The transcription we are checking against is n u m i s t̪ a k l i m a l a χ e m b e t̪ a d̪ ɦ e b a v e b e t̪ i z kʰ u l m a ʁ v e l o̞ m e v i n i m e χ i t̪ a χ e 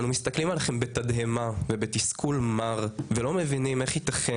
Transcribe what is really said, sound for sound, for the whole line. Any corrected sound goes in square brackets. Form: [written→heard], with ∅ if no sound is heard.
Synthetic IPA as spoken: n u m i s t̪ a k l i m a l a χ e m b e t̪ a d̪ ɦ e [b→m] a v e b e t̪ i [z→s] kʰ u l m a ʁ v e l o̞ m e v i n i m e χ i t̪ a χ e